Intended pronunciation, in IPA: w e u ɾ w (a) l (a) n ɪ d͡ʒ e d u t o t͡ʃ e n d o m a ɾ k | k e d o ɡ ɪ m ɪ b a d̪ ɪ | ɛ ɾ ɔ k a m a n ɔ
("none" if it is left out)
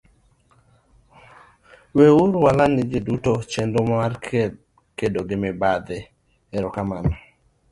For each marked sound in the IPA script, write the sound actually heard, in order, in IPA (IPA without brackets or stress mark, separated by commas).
a, a